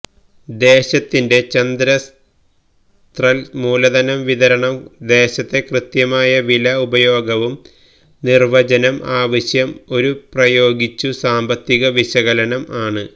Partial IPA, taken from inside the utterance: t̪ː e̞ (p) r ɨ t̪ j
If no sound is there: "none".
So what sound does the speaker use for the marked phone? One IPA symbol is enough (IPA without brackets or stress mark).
k